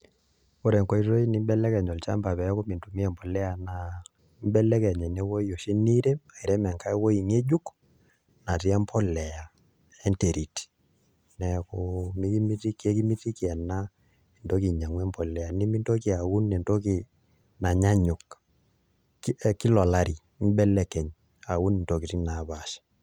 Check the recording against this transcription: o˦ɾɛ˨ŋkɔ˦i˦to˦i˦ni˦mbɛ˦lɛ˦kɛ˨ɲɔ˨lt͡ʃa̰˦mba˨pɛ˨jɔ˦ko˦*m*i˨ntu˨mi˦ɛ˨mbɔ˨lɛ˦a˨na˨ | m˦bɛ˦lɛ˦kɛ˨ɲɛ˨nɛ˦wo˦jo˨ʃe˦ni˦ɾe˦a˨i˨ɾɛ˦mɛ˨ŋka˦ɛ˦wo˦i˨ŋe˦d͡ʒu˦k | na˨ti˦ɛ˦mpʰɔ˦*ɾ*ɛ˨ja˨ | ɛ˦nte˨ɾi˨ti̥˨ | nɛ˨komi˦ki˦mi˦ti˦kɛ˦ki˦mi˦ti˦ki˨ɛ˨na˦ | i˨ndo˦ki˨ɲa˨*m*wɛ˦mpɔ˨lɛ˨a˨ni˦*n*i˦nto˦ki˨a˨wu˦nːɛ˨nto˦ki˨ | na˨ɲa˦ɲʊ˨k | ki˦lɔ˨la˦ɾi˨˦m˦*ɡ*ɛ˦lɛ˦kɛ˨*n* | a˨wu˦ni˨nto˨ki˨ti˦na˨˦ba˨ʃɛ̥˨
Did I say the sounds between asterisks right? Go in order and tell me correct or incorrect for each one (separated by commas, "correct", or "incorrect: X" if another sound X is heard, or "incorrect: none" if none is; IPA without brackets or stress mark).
correct, incorrect: l, incorrect: ŋ, incorrect: m, incorrect: b, incorrect: ɲ